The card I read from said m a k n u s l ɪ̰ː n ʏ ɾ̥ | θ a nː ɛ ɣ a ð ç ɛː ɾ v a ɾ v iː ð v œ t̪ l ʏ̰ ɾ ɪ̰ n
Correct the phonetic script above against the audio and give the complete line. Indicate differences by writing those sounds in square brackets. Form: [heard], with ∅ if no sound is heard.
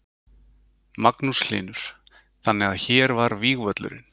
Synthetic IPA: m a k n u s l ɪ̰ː n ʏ ɾ̥ | θ a nː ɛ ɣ a ð ç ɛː ɾ v a ɾ v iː [ɣ] v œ t̪ l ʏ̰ ɾ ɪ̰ n